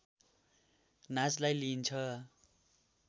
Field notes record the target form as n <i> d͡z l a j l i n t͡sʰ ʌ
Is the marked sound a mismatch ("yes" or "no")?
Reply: yes